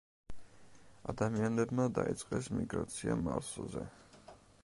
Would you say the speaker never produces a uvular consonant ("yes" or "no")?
no